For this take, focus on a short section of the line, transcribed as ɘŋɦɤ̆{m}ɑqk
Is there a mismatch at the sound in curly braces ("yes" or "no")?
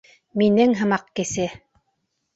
no